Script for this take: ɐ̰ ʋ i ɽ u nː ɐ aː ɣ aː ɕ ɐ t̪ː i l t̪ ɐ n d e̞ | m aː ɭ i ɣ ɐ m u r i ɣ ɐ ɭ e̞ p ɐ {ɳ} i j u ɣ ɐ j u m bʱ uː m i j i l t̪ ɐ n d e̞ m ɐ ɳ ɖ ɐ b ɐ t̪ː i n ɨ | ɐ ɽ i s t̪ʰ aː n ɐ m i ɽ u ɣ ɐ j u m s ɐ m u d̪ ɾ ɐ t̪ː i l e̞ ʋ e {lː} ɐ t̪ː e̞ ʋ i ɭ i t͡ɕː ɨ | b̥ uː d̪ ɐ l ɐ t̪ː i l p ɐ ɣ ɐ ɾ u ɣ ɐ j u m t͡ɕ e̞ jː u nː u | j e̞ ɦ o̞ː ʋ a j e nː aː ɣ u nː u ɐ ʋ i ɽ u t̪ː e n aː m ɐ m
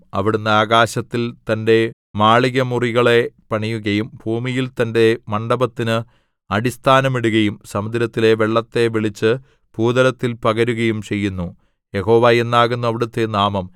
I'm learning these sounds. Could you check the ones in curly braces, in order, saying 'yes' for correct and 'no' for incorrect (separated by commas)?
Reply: yes, no